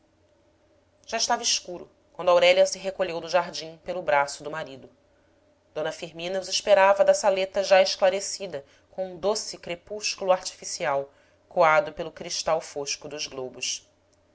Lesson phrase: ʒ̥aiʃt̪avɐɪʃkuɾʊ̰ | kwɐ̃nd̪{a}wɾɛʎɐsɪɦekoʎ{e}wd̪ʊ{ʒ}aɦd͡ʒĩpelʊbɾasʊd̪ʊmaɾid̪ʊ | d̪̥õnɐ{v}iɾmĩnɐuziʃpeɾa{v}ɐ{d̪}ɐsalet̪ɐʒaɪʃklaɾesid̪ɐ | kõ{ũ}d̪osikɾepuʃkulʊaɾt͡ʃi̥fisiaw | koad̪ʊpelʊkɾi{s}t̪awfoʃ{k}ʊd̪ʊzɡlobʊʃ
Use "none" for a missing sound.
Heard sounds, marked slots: a, e, ʒ, f, v, d̪, ũ, ʃ, k

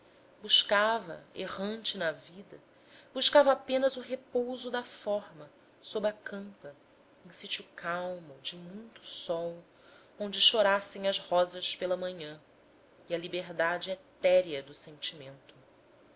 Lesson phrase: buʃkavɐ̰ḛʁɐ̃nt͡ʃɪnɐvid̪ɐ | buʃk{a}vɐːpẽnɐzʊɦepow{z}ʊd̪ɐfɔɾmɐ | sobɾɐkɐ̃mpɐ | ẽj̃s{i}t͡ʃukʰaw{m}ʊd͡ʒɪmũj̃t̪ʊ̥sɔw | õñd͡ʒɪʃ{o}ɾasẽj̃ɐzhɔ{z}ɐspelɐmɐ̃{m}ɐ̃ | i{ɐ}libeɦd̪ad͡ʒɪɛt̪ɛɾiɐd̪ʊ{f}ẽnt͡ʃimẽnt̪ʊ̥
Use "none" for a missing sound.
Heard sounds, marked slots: a, z, i, m, o, z, ɲ, ɐ, s

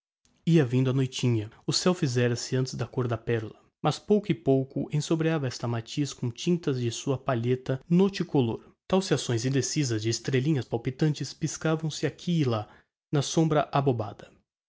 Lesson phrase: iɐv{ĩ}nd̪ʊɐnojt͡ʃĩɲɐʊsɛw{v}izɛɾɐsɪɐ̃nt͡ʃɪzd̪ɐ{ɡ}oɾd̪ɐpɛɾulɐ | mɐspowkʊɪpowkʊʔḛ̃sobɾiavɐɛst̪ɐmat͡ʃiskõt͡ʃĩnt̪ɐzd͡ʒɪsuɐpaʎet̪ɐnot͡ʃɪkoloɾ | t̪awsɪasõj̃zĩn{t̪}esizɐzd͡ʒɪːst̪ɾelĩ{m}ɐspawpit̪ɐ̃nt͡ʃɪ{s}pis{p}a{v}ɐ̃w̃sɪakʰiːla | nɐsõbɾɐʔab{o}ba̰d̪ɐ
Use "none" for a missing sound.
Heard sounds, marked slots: ĩ, f, k, d̪, ɲ, s, k, v, o

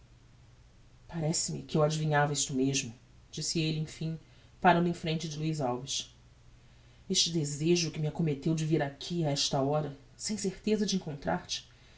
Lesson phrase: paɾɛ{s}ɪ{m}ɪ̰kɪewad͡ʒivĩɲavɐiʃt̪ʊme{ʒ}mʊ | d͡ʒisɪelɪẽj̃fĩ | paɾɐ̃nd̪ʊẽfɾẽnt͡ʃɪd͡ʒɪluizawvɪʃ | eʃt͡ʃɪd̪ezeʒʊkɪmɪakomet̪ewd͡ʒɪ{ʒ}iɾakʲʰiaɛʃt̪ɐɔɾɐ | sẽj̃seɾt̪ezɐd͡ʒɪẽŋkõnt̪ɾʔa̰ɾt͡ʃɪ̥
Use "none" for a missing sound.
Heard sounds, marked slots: s, m, ʒ, v

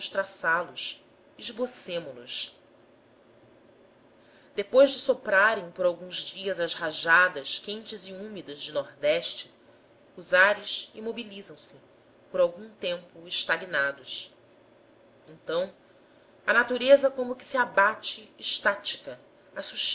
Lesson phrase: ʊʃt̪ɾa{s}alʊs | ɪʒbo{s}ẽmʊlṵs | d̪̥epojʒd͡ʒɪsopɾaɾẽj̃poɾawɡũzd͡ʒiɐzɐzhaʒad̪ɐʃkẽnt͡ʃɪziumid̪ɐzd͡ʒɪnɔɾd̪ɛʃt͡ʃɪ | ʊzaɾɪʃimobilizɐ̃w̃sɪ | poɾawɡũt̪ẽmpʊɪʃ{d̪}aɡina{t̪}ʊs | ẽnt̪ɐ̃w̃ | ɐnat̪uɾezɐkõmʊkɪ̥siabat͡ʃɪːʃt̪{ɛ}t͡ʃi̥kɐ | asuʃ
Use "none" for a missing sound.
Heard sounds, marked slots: s, s, t̪, d̪, a

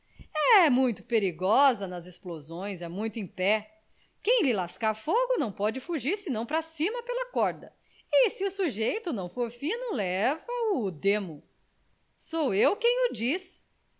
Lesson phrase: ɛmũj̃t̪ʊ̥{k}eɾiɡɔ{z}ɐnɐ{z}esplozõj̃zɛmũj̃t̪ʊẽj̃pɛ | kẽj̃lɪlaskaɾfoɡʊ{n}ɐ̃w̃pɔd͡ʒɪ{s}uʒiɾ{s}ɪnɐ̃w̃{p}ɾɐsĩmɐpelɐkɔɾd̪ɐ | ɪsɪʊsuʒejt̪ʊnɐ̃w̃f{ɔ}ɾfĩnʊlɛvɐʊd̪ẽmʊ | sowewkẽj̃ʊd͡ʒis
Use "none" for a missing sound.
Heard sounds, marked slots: p, z, z, n, f, s, p, o

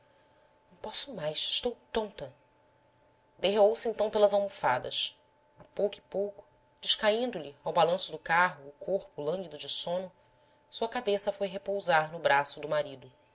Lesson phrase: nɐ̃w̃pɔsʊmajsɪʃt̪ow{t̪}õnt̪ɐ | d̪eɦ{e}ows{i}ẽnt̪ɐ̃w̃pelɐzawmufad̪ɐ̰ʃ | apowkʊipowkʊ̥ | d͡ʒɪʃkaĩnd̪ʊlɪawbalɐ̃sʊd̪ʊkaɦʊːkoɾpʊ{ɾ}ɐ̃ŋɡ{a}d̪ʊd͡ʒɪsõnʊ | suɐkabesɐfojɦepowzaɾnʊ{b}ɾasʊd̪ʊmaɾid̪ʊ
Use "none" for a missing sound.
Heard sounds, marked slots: t̪, e, ɪ, l, i, b

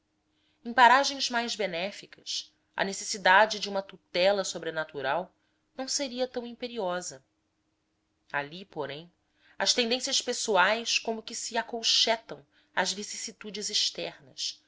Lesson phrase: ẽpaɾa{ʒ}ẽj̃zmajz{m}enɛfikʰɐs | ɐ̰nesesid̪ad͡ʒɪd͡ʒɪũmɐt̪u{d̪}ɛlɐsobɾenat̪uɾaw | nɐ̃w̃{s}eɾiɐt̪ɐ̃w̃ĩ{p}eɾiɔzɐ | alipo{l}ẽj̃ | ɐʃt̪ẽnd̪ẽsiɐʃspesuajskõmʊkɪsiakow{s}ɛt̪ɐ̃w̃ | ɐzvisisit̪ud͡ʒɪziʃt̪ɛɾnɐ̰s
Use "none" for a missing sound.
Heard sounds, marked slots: ʒ, b, t̪, s, p, ɾ, ʃ

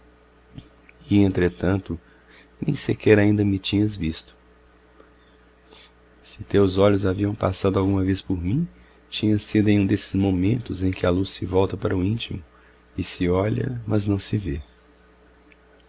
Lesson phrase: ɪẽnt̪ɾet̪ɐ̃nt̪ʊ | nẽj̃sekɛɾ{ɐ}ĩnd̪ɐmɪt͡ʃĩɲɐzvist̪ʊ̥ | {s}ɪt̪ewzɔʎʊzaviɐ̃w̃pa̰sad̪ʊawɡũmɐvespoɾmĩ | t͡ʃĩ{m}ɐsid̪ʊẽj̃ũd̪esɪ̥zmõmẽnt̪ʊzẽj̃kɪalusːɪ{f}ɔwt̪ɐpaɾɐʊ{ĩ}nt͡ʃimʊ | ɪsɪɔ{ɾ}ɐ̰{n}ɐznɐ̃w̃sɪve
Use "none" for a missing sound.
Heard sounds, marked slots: a, s, ɲ, v, ĩ, ʎ, m

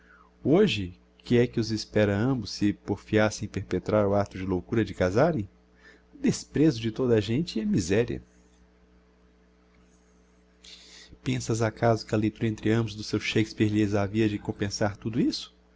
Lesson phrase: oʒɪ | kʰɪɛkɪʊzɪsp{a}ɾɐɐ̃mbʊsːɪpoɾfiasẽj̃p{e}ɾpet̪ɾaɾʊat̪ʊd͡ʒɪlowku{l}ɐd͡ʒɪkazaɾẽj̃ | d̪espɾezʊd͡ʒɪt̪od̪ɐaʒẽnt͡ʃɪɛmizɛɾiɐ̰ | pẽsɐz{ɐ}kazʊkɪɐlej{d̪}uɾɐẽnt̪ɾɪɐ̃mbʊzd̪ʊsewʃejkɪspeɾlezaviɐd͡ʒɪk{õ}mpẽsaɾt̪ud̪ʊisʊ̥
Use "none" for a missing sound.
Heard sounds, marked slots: ɛ, e, ɾ, a, t̪, õ

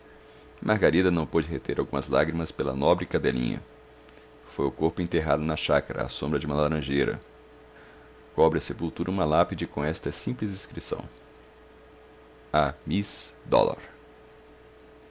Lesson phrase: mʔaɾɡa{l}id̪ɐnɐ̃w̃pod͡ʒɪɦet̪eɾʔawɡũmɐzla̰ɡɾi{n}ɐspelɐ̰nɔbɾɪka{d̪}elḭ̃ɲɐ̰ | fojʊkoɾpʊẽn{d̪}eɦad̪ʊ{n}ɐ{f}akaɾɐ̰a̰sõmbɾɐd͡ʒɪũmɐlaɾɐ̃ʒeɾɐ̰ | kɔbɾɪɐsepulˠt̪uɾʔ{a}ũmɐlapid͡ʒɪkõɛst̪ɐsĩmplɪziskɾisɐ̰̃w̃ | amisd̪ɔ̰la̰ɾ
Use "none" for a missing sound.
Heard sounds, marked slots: ɾ, m, d̪, t̪, n, ʃ, ɐ

